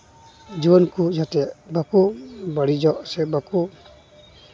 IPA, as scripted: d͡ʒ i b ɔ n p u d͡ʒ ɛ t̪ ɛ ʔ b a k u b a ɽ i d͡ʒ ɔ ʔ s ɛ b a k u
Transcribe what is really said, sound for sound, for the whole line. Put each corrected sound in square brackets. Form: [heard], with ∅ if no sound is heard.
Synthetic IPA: d͡ʒ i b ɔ n [k] u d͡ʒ [a] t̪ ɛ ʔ b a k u b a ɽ i d͡ʒ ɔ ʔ s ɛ b a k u